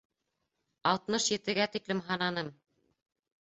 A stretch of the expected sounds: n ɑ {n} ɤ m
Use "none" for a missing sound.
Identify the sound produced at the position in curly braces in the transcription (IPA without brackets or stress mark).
n